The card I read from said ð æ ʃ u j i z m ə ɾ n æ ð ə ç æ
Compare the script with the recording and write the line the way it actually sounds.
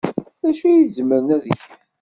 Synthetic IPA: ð æ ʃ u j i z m ə ɾ n æ ð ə ç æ